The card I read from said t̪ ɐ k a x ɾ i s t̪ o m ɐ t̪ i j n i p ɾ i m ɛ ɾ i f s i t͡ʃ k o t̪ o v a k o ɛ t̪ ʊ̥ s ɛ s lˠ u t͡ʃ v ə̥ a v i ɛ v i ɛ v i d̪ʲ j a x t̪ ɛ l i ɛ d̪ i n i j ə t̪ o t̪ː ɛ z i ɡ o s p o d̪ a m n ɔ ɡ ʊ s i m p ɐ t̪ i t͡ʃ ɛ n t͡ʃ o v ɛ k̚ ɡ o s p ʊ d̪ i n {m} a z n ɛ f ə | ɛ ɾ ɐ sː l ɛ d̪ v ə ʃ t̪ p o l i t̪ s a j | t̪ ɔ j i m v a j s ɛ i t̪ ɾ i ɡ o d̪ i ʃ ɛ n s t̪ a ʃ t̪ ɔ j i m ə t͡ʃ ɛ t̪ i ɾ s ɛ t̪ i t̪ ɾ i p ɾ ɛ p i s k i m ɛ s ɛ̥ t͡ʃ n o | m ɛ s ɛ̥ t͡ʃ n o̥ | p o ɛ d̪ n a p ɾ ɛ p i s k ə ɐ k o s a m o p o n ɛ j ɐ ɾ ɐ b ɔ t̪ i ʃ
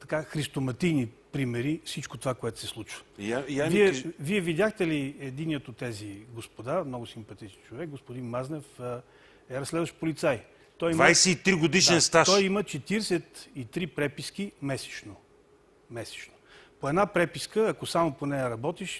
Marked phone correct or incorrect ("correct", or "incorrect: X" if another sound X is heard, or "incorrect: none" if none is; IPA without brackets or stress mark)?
correct